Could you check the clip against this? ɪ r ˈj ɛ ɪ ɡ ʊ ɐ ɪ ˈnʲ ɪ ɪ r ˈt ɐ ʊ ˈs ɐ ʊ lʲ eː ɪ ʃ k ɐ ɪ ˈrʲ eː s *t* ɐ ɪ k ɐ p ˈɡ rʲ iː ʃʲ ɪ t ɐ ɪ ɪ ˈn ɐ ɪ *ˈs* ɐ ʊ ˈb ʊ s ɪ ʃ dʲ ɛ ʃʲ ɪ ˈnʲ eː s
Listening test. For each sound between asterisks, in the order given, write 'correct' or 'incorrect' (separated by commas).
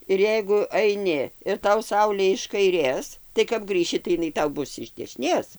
correct, incorrect